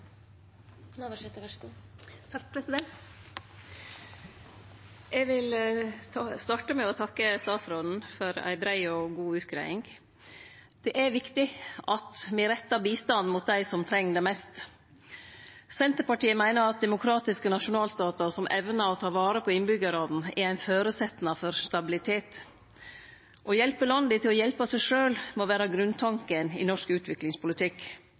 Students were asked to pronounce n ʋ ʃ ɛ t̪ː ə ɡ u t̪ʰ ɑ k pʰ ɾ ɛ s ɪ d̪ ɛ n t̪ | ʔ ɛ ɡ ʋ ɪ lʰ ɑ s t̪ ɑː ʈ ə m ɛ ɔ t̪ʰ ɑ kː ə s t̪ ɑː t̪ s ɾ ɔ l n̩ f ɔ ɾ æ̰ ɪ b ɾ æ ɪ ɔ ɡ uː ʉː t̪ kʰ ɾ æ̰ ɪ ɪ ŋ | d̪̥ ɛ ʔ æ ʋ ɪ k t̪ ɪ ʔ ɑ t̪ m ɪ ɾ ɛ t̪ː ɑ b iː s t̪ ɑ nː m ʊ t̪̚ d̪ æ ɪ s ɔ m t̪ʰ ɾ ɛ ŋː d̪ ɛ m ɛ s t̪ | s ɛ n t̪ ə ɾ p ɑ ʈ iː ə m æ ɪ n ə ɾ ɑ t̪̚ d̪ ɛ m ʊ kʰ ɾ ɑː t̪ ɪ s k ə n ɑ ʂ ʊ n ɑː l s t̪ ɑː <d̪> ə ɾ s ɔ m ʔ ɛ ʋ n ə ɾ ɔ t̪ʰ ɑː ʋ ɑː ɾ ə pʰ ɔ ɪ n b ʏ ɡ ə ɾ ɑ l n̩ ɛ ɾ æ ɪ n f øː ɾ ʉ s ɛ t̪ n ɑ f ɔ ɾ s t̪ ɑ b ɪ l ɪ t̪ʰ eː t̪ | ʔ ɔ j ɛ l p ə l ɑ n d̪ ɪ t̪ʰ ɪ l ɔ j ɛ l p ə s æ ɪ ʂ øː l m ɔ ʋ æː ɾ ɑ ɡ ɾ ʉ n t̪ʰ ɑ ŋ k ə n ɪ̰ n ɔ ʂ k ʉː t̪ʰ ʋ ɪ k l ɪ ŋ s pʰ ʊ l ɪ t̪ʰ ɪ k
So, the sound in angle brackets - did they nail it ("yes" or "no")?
no